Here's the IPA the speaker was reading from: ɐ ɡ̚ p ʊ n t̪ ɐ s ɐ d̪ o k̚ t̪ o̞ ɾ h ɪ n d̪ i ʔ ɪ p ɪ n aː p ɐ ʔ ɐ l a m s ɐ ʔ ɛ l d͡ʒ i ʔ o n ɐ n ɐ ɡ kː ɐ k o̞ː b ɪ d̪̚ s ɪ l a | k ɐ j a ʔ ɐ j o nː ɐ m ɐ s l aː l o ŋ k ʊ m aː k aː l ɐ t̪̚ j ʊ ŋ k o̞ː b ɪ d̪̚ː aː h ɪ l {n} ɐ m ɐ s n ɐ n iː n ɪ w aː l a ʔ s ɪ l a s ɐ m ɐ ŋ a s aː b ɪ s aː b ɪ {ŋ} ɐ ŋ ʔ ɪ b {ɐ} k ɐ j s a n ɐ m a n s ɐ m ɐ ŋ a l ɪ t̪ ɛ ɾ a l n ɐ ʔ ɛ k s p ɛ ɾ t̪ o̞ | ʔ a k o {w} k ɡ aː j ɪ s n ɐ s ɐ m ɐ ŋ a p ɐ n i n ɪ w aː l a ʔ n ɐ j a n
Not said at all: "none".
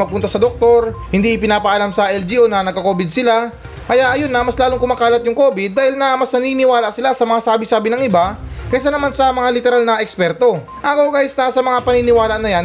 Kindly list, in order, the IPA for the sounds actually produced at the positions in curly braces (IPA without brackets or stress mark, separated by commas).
n, n, a, w